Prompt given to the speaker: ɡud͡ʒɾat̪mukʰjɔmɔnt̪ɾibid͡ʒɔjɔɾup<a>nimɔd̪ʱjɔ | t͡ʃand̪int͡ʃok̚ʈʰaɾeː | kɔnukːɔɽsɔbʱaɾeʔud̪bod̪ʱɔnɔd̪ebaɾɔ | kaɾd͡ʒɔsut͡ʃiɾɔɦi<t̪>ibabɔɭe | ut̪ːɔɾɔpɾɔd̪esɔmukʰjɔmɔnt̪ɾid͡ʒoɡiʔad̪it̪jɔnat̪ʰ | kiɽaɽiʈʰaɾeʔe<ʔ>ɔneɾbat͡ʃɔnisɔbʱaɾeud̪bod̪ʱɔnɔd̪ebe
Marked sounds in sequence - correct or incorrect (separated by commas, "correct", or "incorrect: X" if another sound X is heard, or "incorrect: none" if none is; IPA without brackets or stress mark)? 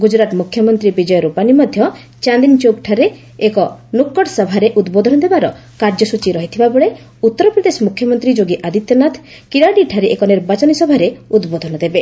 correct, incorrect: t̪ʰ, incorrect: k